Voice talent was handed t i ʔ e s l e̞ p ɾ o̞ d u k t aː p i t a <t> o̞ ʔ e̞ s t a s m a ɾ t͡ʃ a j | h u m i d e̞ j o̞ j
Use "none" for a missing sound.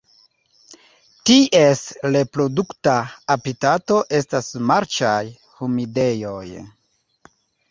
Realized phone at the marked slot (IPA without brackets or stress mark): t